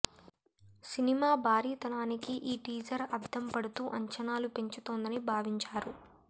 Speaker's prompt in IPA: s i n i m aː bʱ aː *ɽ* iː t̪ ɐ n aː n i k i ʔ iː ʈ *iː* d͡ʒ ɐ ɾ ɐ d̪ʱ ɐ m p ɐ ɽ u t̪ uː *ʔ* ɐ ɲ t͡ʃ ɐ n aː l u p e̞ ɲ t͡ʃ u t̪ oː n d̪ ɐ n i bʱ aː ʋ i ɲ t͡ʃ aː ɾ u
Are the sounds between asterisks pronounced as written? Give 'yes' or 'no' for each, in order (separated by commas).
no, yes, yes